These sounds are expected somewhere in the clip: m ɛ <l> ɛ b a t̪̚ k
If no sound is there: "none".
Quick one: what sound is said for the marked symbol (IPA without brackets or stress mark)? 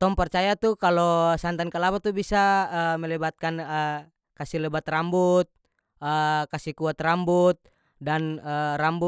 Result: l